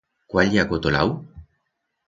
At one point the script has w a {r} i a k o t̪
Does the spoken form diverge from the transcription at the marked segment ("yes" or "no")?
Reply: yes